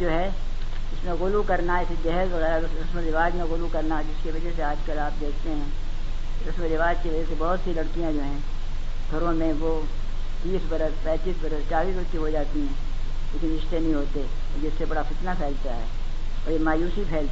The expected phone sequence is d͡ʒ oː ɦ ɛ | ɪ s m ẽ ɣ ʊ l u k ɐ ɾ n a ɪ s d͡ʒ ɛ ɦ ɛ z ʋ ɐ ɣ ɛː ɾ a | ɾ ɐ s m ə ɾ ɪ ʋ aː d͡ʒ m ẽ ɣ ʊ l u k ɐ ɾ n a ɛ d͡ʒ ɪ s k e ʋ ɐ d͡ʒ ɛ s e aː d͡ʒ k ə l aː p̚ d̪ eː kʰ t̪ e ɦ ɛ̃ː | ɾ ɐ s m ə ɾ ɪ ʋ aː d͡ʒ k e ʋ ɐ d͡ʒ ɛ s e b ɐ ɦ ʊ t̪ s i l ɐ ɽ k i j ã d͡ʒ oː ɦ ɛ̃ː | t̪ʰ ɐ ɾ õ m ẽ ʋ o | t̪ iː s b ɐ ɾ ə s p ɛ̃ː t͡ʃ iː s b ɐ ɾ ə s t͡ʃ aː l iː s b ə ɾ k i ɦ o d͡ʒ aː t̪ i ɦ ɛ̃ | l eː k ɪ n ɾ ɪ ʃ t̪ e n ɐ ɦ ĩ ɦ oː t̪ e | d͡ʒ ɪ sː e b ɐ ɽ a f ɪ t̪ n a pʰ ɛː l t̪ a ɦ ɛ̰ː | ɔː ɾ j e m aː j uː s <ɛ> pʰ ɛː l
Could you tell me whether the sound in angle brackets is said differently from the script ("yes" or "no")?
yes